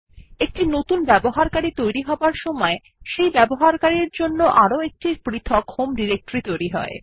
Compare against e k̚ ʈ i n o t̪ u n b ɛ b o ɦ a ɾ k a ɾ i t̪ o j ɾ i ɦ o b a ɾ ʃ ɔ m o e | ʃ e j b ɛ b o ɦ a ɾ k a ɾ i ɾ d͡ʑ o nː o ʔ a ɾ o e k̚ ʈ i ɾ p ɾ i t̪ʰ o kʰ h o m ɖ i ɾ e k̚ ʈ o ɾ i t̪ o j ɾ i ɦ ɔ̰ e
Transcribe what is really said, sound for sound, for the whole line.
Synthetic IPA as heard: e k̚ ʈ i n o t̪ u n b ɛ b o ɦ a ɾ k a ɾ i t̪ o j ɾ i ɦ ɔ b a ɾ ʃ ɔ m ɔ e | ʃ e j b ɛ b o ɦ a ɾ k a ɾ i ɾ d͡ʑ o nː o ʔ a ɾ o e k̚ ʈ i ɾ p ɾ i t̪ʰ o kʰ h o m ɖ i ɾ e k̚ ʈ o ɾ i t̪ o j ɾ i ɦ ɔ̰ e

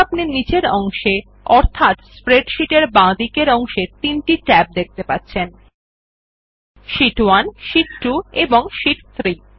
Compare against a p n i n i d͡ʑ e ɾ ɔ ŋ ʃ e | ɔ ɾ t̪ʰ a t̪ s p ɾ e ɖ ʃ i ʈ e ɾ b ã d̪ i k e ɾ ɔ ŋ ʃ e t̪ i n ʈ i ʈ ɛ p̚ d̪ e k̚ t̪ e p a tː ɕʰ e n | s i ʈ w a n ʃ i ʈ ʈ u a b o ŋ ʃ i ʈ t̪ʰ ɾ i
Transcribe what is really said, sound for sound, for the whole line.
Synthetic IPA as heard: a p n i n i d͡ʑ e ɾ ɔ ŋ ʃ e | ɔ ɾ t̪ʰ a t̪ s p ɾ e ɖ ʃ i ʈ e ɾ b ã d̪ i k e ɾ ɔ ŋ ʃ e t̪ i n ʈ i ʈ ɛ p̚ d̪ e k̚ t̪ e p a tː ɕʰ e n | ʃ i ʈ w a n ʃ i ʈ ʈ u e b o ŋ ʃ i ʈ t̪ʰ ɾ i

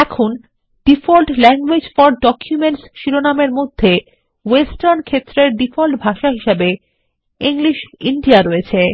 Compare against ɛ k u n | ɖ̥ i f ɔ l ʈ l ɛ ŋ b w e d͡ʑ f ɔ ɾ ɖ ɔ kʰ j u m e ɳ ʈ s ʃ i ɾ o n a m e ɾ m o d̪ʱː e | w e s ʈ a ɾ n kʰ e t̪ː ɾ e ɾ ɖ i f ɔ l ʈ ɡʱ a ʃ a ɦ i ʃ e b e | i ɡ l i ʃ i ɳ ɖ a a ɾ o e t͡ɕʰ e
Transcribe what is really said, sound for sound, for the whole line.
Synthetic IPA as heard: ɛ kʰ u n | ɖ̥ i f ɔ l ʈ l ɛ ŋ ɡ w e d͡ʑ f ɔ ɾ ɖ ɔ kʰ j u m e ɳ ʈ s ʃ i ɾ o n a m e ɾ m o d̪ʱː e | w e s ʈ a ɾ n kʰ e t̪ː ɾ e ɾ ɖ i f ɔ l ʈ bʱ a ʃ a ɦ i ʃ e b e | i ŋ l i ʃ i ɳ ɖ i a ɾ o e t͡ɕʰ e

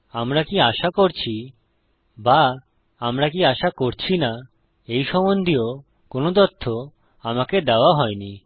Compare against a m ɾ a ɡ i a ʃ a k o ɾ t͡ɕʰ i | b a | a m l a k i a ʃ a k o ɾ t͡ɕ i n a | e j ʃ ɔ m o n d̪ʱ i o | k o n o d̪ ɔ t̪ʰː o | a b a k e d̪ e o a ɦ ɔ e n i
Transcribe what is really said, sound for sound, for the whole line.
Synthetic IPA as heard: a m ɾ a k i a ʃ a k o ɾ t͡ɕʰ i | b a | a m ɾ a k i a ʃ a k o ɾ t͡ɕʰ i n a | e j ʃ ɔ m o n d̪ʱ i o | k o n o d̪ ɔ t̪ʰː o | a m a k e d̪ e o a ɦ ɔ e n i

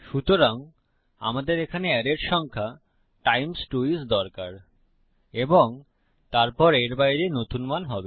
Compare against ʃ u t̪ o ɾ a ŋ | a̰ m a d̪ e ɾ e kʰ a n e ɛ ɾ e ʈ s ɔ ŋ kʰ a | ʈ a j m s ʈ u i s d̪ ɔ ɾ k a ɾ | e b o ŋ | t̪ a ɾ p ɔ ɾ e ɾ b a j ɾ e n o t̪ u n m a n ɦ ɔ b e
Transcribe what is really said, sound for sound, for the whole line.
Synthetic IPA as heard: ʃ u t̪ o ɾ a ŋ | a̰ m a d̪ e ɾ e kʰ a n e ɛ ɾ e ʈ ʃ ɔ ŋ kʰ a | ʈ a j m s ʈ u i s d̪ ɔ ɾ k a ɾ | e b o ŋ | t̪ a ɾ p ɔ ɾ e ɾ b a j ɾ e n o t̪ u n m a n ɦ ɔ b e

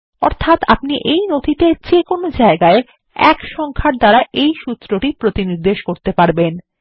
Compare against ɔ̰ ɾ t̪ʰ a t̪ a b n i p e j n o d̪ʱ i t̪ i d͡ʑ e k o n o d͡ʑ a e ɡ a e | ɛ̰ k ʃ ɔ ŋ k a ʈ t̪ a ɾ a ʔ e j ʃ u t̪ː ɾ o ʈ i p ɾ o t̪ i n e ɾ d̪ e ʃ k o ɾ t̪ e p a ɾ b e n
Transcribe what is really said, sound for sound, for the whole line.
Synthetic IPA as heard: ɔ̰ ɾ t̪ʰ a t̪ a p n i ʔ e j n o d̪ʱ i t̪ e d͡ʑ e k o n o d͡ʑ a e ɡ a e | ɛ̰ k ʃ ɔ ŋ kʰ a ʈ d̪ a ɾ a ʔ e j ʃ u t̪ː ɾ o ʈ i p ɾ o t̪ i n i ɾ d̪ e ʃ k o ɾ t̪ e p a ɾ b e n

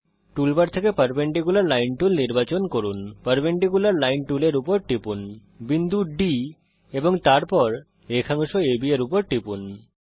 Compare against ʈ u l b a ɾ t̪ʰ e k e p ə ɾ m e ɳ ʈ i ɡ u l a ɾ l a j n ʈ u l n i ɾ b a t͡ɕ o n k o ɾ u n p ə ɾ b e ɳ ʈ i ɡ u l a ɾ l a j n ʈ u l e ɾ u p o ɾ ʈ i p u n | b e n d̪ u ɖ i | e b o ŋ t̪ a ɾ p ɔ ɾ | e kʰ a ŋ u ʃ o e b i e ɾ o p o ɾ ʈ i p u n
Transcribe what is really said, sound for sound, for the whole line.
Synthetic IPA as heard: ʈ u l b a ɾ t̪ʰ e k e p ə ɾ b e ɳ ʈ i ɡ u l a ɾ l a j n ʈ u l n i ɾ b a t͡ɕ o n k o ɾ u n p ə ɾ b e ɳ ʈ i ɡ u l a ɾ l a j n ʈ u l e ɾ u p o ɾ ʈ i p u n | b i n d̪ u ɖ i | e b o ŋ t̪ a ɾ p ɔ ɾ | e kʰ a ŋ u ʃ o e b i e ɾ u p o ɾ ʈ i p u n

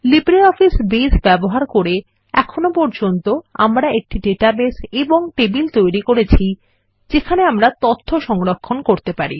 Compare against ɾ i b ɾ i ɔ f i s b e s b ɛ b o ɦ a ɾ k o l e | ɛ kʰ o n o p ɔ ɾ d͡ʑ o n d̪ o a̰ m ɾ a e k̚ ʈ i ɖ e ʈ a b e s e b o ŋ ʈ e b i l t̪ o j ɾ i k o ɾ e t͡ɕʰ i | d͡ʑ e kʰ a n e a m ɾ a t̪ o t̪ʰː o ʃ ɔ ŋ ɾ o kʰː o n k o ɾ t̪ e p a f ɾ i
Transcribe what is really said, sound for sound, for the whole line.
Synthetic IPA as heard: l i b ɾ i ɔ f i s b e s b ɛ b o ɦ a ɾ k o ɾ e | ɛ kʰ o n o p ɔ ɾ d͡ʑ o n t̪ o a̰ m ɾ a e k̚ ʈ i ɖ e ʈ a b e s e b o ŋ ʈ e b i l t̪ o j ɾ i k o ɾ e t͡ɕʰ i | d͡ʑ e kʰ a n e a m ɾ a t̪ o t̪ʰː o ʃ ɔ ŋ ɾ o kʰː o n k o ɾ t̪ e p a ɾ i

